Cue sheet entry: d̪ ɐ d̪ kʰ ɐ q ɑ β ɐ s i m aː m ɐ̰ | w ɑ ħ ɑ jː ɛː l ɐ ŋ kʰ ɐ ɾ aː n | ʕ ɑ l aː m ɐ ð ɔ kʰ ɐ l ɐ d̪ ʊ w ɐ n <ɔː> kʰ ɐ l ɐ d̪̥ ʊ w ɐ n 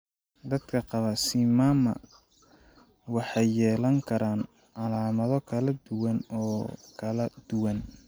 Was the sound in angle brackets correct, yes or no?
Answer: yes